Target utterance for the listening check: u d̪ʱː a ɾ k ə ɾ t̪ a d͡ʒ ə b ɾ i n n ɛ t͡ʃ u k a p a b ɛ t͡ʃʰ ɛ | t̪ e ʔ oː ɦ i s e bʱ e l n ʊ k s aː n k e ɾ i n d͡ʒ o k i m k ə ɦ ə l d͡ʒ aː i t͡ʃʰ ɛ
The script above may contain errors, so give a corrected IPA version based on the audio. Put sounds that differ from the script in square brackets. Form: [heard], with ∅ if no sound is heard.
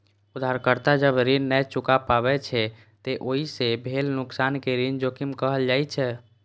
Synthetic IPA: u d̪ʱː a ɾ k ə ɾ t̪ a d͡ʒ ə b ɾ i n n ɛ t͡ʃ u k a p a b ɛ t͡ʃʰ ɛ | t̪ e ʔ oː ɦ i s e bʱ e l n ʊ k s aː n k e ɾ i n d͡ʒ o k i m k ə ɦ ə l d͡ʒ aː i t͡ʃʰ ɛ